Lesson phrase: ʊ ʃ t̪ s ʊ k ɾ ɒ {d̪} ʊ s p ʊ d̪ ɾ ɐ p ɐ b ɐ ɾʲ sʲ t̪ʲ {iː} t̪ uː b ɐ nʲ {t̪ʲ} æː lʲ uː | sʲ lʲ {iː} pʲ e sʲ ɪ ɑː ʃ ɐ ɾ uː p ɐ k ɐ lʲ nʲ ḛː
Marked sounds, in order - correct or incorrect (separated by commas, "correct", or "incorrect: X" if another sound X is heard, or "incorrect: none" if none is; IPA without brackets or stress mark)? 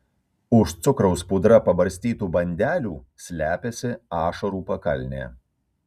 incorrect: none, correct, incorrect: d̪ʲ, incorrect: æː